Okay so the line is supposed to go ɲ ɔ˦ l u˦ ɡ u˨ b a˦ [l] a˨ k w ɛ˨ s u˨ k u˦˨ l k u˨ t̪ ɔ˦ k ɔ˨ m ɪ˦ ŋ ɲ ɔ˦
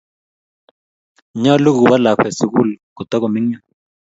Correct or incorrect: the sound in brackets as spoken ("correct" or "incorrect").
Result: correct